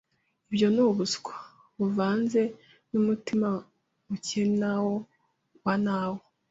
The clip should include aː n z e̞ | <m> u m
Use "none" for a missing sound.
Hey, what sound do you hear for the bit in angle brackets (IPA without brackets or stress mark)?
n